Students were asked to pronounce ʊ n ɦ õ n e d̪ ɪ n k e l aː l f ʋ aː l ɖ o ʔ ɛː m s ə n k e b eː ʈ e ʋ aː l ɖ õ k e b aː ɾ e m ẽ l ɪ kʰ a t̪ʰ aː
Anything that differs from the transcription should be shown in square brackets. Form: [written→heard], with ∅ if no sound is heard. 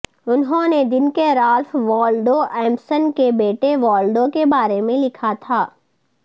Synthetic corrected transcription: ʊ n ɦ õ n e d̪ ɪ n k e [l→ɾ] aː l f ʋ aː l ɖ o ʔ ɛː m s ə n k e b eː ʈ e ʋ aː l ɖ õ k e b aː ɾ e m ẽ l ɪ kʰ a t̪ʰ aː